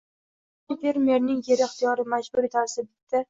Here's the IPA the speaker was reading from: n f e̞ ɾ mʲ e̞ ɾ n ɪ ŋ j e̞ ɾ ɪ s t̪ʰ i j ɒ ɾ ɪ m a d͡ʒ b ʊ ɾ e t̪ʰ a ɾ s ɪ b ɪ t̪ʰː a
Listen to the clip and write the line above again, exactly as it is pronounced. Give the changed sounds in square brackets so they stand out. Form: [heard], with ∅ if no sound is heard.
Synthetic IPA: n f e̞ ɾ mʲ e̞ ɾ n ɪ ŋ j e̞ ɾ ɪ [χ] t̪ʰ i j ɒ ɾ ɪ m a d͡ʒ b ʊ ɾ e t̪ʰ a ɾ s ɪ b ɪ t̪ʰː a